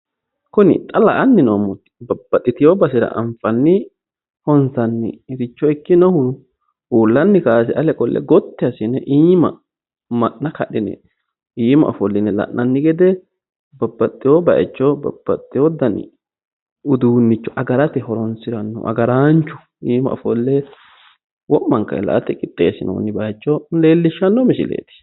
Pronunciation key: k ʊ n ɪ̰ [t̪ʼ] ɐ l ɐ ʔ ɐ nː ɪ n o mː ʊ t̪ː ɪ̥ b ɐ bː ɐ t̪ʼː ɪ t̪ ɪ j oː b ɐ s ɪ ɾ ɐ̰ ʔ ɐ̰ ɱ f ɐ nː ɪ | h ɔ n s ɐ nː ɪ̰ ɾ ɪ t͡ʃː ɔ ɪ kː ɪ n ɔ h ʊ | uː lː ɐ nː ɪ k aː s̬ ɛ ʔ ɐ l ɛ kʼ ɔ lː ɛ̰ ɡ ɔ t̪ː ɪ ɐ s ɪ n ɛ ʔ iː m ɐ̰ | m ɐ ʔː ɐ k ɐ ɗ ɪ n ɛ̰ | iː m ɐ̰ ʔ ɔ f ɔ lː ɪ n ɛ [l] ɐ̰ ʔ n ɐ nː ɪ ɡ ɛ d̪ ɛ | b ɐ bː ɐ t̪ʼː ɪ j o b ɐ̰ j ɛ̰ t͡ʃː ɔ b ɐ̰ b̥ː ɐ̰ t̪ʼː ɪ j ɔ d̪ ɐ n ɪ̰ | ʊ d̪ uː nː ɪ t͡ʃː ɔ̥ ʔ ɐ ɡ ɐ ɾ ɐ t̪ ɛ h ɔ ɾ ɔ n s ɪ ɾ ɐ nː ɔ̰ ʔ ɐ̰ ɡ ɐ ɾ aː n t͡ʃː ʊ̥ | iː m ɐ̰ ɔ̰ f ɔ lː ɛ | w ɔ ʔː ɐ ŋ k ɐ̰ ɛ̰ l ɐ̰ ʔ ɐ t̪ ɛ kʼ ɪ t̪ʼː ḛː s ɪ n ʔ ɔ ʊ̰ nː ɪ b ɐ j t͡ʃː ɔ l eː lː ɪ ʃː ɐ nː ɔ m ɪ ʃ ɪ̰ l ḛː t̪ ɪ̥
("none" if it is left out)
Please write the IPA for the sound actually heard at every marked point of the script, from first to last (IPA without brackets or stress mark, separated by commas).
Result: t̪ʼ, l